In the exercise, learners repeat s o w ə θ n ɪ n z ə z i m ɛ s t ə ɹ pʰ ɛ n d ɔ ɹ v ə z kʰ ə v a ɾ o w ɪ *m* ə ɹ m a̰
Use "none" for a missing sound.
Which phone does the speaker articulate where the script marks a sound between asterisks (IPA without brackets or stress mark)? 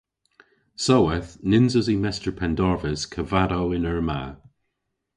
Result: n